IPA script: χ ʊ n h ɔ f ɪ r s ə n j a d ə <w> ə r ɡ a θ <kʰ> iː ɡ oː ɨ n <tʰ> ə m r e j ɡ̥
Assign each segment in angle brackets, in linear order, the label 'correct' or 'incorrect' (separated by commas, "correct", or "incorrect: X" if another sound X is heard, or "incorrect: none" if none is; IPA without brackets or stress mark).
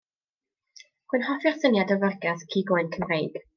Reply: incorrect: v, correct, incorrect: kʰ